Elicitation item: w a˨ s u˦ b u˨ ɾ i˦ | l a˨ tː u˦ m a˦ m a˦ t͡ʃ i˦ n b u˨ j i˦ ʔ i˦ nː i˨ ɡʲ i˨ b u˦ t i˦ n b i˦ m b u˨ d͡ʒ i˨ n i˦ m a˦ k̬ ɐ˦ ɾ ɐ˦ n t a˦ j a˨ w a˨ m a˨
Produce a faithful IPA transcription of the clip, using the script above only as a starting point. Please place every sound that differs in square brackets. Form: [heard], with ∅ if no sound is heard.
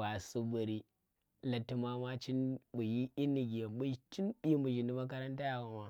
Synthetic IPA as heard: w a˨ s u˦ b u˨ ɾ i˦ | l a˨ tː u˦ m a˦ m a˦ t͡ʃ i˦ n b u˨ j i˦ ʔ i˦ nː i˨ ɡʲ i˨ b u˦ [t͡ʃ] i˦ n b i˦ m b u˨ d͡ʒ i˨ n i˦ m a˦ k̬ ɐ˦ ɾ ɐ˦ n t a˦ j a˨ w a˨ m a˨